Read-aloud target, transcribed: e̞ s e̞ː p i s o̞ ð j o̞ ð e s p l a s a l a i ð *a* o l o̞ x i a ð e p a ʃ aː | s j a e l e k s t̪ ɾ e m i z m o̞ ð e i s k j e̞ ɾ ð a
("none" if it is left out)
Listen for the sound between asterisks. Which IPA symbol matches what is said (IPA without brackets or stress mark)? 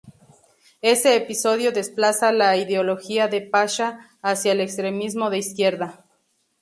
e